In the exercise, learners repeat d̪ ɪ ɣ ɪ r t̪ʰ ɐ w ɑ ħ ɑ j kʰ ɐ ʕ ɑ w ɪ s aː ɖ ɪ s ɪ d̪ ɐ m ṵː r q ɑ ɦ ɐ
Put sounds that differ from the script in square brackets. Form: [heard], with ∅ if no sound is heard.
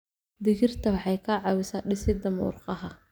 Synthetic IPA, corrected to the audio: d̪ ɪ ɣ ɪ r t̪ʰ ɐ w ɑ ħ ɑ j kʰ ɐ ʕ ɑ w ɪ s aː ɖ ɪ s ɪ d̪ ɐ m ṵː r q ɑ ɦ ɐ